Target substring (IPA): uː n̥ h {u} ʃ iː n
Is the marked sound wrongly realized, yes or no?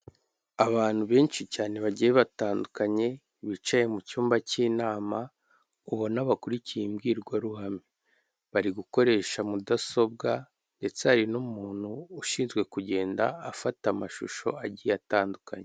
yes